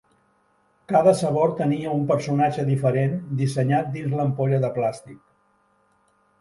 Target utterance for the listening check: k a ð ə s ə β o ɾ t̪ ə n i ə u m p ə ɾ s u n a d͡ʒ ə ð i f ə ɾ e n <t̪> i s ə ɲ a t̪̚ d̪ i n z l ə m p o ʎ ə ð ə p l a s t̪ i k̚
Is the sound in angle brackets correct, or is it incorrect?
incorrect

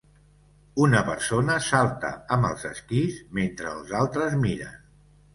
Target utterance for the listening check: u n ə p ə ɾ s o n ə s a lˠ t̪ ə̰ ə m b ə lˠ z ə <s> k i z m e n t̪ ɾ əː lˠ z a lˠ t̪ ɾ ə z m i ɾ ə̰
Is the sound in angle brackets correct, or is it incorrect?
correct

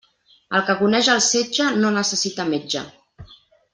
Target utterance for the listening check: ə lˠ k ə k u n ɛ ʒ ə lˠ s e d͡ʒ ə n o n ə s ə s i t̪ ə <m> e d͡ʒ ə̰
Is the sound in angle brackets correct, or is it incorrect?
correct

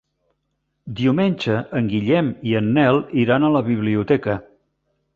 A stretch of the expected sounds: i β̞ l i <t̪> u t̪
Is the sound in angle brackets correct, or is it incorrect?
incorrect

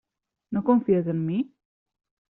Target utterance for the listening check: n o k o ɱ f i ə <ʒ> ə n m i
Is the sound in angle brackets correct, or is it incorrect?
incorrect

